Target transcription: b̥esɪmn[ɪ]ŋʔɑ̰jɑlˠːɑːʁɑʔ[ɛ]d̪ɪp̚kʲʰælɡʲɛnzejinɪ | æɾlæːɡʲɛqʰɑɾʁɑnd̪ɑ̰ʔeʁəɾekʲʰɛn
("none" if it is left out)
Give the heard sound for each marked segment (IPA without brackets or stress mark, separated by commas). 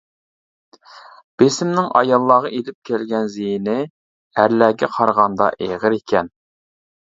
ɪ, e